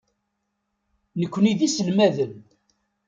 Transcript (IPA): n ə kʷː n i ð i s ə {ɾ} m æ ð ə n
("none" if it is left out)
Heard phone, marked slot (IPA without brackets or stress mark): l